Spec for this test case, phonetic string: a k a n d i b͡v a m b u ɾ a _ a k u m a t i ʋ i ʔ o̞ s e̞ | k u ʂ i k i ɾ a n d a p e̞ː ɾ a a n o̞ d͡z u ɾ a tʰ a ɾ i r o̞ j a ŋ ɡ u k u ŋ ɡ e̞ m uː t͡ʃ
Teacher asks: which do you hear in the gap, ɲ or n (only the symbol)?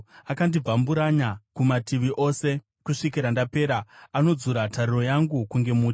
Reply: ɲ